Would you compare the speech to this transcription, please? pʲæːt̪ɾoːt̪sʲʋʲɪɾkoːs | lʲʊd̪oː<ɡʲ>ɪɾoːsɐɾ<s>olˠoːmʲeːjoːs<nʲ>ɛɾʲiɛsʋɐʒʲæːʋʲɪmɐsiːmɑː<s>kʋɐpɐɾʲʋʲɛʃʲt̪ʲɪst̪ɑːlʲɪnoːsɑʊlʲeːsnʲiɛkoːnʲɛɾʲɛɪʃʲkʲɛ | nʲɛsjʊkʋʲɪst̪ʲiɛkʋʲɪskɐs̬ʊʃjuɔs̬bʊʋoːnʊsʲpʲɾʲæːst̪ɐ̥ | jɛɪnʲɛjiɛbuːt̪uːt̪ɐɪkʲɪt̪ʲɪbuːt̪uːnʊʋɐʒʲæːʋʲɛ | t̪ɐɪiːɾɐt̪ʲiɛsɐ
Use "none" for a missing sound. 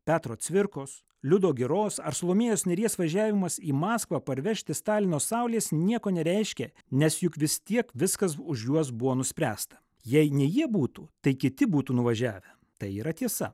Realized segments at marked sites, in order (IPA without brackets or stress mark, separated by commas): ɡʲ, s, nʲ, s